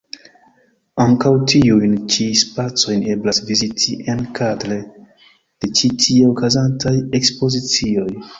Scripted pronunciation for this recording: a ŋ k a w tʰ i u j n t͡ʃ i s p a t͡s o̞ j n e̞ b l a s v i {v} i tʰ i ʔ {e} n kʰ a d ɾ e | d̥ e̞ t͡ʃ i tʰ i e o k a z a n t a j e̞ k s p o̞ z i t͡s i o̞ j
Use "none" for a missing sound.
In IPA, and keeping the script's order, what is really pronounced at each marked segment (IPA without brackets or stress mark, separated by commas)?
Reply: z, e